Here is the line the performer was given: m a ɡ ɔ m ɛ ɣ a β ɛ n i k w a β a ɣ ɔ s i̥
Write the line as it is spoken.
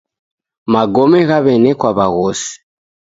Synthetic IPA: m a ɡ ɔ m ɛ ɣ a β ɛ n ɛ k w a β a ɣ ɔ s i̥